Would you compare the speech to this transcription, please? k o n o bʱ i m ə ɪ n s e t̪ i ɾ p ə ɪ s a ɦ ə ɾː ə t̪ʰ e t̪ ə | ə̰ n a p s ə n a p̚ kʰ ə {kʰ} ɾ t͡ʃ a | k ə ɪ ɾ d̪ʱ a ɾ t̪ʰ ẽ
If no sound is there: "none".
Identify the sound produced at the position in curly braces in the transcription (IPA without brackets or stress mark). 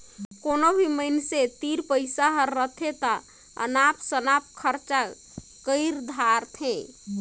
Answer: none